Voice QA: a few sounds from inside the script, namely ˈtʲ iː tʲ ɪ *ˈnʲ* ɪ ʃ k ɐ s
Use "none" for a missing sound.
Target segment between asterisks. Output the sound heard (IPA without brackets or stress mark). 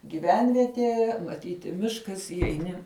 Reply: mʲ